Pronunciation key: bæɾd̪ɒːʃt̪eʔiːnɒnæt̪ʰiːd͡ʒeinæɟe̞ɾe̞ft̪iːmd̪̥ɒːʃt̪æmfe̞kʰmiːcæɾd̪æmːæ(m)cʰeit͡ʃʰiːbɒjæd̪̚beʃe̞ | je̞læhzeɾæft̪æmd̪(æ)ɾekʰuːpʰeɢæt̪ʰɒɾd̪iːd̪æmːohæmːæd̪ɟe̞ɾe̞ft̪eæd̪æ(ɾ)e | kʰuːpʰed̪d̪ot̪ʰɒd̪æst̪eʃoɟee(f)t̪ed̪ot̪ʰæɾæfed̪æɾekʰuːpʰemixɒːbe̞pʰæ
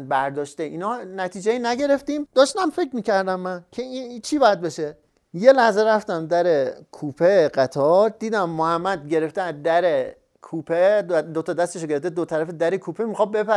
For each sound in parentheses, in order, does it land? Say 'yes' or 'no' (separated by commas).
no, yes, yes, yes